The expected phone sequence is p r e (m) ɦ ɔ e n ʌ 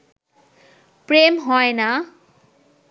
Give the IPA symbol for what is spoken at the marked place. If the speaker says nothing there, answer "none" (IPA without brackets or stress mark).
m